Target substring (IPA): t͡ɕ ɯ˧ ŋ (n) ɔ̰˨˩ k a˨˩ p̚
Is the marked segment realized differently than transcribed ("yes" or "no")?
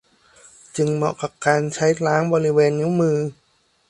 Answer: yes